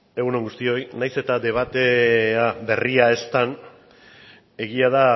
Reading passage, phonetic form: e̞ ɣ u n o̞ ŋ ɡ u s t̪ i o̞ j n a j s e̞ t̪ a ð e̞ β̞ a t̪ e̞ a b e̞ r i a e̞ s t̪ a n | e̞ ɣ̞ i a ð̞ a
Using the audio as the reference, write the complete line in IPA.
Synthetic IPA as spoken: e̞ ɣ u n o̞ ŋ ɡ u s t̪ i o̞ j n a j s e̞ t̪ a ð e̞ β̞ a t̪ e̞ a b e̞ r i a e̞ s t̪ a n | e̞ ɣ̞ i a ð̞ a